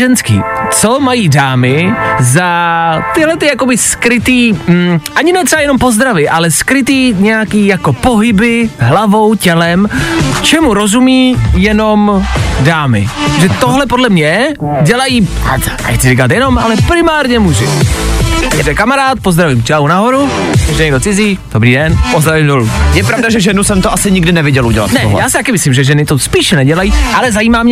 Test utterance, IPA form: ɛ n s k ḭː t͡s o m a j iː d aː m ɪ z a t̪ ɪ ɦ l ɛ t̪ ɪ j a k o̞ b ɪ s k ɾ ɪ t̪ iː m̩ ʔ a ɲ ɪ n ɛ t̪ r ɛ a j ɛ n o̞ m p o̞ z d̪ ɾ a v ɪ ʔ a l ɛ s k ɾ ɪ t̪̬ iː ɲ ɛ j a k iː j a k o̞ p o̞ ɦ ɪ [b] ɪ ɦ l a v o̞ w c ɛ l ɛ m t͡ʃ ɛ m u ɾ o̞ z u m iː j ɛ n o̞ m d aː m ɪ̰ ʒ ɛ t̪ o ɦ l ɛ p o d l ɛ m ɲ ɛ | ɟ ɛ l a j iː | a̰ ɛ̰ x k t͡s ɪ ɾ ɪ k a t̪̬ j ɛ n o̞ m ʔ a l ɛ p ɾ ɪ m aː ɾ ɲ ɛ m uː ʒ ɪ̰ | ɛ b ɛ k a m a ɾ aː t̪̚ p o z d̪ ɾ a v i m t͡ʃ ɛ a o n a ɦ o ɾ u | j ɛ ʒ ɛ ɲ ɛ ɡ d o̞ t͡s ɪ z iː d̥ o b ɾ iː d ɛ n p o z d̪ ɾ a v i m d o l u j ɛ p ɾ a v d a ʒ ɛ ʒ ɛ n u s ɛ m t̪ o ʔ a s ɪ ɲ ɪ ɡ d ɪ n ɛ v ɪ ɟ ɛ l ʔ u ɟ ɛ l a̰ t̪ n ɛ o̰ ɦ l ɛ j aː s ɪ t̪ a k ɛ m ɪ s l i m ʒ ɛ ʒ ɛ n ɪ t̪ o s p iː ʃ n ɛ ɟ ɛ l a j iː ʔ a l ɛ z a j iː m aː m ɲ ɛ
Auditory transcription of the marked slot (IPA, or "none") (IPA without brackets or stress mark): b